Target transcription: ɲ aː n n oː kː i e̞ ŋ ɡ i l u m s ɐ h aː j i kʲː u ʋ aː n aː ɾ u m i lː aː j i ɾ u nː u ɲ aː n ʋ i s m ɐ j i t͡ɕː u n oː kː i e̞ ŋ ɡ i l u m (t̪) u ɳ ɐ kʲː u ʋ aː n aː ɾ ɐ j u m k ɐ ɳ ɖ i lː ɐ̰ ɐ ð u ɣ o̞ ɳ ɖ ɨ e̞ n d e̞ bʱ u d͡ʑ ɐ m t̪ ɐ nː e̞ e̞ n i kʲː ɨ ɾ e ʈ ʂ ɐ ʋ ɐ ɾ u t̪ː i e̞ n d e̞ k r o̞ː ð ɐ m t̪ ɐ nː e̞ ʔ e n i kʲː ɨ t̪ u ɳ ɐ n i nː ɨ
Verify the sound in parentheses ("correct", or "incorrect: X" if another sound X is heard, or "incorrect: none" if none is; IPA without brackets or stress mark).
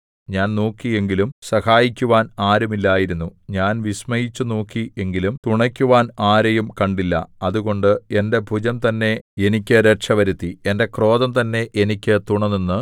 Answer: correct